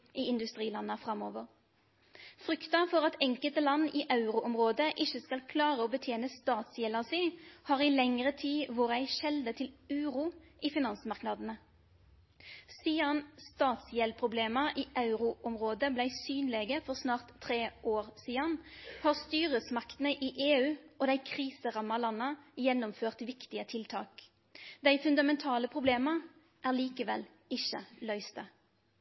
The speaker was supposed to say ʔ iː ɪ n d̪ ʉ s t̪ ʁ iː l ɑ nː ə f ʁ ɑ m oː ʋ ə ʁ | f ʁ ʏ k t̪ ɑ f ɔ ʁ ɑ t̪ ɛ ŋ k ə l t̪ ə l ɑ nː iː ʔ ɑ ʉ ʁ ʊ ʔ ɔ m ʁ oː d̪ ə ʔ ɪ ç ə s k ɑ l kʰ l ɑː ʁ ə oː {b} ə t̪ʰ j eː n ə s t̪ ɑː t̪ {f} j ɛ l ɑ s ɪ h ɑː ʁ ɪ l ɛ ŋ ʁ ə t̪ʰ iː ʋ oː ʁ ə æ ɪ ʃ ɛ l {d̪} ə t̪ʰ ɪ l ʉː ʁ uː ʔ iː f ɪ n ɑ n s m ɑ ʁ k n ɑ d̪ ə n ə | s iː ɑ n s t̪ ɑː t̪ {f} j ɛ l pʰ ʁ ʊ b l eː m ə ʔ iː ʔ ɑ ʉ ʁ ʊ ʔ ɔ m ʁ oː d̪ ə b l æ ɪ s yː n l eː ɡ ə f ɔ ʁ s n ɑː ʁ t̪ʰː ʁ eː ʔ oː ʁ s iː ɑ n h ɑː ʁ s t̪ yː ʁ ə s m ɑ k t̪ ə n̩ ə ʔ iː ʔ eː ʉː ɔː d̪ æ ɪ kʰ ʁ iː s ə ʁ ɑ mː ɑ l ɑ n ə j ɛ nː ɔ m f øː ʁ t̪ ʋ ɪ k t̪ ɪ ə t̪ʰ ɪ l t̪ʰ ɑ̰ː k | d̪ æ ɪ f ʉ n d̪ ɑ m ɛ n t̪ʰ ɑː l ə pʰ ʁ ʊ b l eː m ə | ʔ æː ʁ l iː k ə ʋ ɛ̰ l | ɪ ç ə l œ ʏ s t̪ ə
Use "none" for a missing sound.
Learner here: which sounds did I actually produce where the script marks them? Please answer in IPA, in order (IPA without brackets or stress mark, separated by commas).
b, s, d̪, s